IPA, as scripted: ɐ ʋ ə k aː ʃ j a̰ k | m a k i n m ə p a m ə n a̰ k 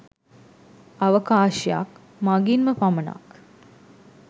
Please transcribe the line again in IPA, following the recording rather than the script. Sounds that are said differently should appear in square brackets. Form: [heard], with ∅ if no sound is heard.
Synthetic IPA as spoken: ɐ ʋ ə k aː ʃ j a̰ k | m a [ɡ] i n m ə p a m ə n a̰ k

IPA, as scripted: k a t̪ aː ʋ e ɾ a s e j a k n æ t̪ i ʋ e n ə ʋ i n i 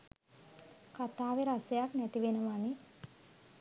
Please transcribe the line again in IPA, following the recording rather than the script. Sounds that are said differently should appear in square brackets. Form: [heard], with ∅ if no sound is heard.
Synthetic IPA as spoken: k a t̪ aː ʋ e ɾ a s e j a k n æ t̪ i ʋ e n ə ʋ [a] n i

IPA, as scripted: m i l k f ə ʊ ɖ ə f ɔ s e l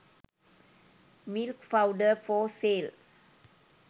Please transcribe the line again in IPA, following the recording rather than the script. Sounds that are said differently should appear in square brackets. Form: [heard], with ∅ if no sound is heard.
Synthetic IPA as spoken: m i l k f [a] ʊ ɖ ə f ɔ s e l

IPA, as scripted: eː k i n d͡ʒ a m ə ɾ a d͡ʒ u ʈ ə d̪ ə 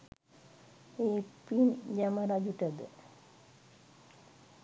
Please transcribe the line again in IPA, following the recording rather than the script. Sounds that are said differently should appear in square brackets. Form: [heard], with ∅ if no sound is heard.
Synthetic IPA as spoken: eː [p] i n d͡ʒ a m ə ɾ a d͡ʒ u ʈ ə d̪ ə

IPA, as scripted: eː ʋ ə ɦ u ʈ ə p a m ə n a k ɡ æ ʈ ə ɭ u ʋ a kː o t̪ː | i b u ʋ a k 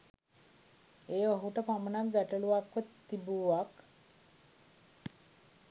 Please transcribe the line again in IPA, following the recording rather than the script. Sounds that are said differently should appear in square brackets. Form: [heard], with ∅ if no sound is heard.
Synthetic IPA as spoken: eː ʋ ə ɦ u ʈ ə p a m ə n a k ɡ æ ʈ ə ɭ u ʋ a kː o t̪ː | i b u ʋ a k

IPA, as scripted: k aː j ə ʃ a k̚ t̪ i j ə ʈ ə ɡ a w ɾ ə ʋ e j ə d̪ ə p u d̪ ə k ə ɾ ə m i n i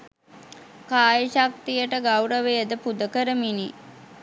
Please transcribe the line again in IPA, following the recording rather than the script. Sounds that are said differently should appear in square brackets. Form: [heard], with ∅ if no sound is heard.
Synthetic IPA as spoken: k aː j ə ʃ a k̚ t̪ i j ə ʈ ə ɡ a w ɾ ə ʋ e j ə d̪ ə p u d̪ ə k ə ɾ ə m i n i

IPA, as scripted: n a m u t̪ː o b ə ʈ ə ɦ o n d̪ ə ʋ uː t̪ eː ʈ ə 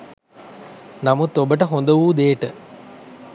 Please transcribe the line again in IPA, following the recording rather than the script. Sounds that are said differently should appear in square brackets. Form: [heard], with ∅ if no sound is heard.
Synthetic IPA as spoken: n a m u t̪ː o b ə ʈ ə ɦ o n d̪ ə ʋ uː [d̪] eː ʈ ə

